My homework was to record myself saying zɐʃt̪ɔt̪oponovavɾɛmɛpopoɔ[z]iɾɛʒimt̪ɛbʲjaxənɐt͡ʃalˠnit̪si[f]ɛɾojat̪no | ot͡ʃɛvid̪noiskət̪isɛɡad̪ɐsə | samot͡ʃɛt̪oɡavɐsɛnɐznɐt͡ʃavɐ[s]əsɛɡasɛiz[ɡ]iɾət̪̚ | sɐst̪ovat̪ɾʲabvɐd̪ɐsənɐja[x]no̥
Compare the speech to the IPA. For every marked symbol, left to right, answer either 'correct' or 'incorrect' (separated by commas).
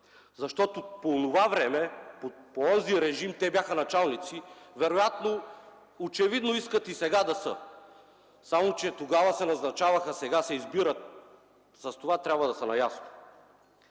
correct, incorrect, incorrect, incorrect, incorrect